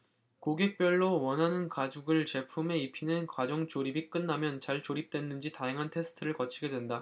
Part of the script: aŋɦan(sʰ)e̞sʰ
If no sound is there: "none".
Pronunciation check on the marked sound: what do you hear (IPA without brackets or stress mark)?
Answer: tʰ